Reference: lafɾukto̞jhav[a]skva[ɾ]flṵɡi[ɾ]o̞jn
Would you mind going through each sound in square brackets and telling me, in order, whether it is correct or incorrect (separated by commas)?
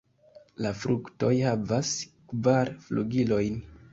correct, correct, incorrect